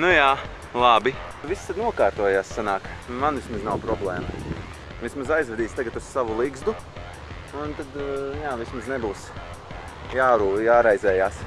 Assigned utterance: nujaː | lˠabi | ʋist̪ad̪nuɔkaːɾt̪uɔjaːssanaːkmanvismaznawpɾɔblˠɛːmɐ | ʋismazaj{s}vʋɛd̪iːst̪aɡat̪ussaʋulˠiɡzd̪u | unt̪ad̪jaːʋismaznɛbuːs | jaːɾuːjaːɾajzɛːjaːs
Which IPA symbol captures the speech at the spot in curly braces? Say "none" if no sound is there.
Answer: z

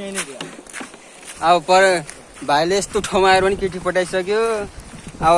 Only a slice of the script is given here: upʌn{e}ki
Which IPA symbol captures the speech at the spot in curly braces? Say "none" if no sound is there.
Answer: i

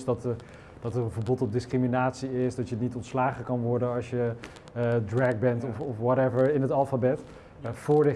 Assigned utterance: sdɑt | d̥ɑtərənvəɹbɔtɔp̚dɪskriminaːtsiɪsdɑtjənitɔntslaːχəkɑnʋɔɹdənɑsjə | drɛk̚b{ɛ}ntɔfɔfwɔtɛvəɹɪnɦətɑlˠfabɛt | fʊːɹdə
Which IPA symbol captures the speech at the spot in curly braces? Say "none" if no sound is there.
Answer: ɛ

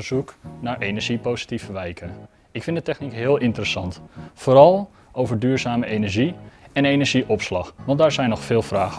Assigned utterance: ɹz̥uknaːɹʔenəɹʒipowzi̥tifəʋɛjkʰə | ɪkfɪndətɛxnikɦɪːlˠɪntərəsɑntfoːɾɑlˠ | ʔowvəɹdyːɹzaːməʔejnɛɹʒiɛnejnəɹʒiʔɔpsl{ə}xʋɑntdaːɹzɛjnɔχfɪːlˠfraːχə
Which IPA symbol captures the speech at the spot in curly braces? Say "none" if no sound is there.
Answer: ɑ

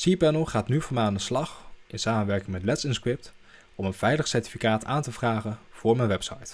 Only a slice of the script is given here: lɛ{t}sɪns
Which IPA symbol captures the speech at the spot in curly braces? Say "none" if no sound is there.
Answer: t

